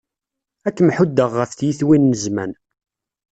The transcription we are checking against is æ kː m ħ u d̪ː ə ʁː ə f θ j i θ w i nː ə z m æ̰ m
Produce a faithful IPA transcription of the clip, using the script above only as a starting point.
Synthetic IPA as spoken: æ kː m ħ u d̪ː ə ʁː ə f θ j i θ w i nː ə z m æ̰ n